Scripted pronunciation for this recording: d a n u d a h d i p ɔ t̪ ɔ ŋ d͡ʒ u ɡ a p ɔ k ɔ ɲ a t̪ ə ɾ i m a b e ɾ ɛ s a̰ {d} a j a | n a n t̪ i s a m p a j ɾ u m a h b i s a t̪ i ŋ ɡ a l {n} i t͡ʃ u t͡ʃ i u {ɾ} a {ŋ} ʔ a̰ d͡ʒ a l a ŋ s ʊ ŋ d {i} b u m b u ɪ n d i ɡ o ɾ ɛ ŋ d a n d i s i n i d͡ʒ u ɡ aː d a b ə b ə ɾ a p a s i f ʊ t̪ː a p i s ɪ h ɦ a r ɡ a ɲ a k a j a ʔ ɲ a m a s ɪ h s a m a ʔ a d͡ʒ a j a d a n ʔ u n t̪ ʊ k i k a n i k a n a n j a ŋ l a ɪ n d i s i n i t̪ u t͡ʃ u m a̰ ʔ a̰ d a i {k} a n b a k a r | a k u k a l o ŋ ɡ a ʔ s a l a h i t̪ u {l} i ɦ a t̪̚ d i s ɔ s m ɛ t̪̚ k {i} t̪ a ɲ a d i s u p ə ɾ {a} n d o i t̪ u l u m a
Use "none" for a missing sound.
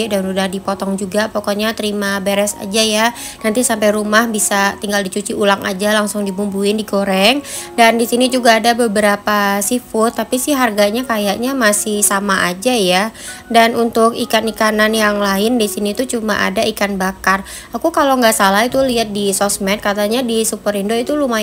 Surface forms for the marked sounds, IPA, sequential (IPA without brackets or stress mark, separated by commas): d͡ʒ, d, l, ŋ, i, k, l, a, i